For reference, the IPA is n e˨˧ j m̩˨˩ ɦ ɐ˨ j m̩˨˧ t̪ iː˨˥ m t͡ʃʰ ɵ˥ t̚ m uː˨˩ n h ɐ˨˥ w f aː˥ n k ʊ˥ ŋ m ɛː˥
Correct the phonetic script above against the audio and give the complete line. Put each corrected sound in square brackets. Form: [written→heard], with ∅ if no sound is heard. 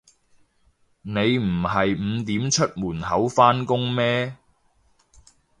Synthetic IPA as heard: n e˨˧ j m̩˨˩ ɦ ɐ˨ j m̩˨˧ t̪ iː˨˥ m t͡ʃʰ ɵ˥ t̚ m uː˨˩ n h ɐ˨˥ w f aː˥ n k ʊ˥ ŋ m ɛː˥